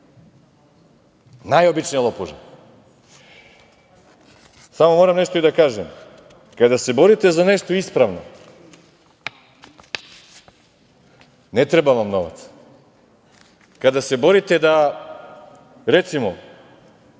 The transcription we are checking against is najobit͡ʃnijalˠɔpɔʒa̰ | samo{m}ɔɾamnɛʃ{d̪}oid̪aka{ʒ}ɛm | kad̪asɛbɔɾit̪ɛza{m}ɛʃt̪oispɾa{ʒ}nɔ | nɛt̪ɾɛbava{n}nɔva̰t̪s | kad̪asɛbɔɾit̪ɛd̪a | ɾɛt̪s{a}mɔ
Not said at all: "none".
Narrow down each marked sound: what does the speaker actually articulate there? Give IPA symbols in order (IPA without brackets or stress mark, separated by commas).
m, t̪, ʒ, n, v, m, i